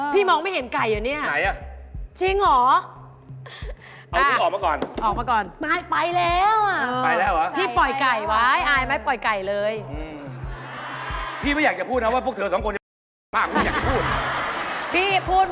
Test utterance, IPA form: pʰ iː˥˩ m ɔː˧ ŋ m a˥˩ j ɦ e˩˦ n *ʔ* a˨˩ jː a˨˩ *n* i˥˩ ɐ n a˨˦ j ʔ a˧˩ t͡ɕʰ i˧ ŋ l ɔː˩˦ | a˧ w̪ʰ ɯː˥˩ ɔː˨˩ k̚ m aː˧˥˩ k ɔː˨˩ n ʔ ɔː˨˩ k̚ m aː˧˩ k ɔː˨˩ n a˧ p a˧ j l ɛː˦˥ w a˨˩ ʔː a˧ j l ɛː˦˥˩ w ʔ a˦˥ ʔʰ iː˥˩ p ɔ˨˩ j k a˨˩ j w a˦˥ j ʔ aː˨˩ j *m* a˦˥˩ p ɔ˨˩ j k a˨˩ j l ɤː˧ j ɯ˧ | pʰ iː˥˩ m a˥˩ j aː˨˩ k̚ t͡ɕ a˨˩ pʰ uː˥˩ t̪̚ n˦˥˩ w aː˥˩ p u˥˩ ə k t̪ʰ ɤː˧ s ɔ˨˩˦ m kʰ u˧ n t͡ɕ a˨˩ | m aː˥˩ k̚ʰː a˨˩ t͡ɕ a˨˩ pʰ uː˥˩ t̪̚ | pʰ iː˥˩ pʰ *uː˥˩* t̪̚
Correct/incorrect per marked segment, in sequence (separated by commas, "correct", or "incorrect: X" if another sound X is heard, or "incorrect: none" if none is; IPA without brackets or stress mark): incorrect: k, correct, correct, correct